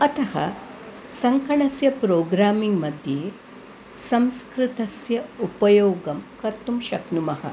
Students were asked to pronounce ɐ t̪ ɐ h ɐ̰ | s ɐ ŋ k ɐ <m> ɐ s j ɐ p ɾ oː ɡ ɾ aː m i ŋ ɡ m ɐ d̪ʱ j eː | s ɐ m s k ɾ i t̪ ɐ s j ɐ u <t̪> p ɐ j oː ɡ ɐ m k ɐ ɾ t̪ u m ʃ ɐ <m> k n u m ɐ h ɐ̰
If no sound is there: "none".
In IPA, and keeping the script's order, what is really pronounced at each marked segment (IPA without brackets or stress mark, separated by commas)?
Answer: ɳ, none, none